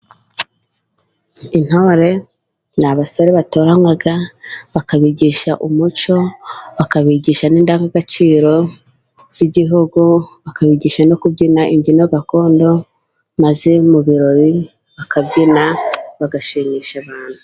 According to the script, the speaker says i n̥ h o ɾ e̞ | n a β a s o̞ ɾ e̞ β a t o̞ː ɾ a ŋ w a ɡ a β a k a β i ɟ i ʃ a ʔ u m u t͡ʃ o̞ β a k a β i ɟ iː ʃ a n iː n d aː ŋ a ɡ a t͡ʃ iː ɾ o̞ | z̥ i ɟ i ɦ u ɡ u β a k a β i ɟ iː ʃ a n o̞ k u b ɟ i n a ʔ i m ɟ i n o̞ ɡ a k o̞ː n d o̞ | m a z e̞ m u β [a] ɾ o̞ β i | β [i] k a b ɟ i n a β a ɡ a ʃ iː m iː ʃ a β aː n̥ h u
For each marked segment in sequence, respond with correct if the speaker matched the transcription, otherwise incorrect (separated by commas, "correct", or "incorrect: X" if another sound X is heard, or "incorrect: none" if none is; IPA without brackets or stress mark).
incorrect: i, incorrect: a